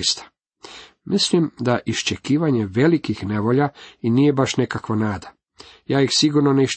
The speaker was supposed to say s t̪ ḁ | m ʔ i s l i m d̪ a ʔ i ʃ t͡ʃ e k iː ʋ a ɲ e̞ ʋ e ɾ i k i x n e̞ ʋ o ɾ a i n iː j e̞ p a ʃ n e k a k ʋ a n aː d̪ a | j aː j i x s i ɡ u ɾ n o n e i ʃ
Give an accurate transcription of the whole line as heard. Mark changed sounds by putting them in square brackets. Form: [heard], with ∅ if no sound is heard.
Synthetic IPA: s t̪ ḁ | m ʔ i s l i m d̪ a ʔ i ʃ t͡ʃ e k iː ʋ a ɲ e̞ ʋ e [l] i k i x n e̞ ʋ o [ʎ] a i n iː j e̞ [b] a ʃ n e k a k ʋ a n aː d̪ a | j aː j i x s i ɡ u ɾ n o n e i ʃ